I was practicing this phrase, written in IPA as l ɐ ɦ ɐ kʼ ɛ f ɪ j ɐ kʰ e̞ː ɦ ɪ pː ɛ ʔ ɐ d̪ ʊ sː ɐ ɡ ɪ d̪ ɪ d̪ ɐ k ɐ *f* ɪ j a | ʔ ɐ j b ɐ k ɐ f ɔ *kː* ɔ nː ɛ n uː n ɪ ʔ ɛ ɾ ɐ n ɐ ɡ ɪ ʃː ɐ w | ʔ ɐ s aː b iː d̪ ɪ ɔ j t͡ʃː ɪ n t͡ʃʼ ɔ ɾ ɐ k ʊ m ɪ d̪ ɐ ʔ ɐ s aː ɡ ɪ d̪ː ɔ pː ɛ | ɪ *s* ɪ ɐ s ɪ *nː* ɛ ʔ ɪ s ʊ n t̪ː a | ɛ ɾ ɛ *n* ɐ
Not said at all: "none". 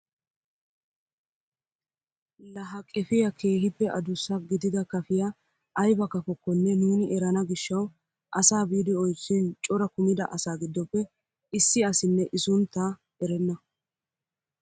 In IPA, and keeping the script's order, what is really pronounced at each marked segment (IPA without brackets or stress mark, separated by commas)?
f, kː, sː, nː, nː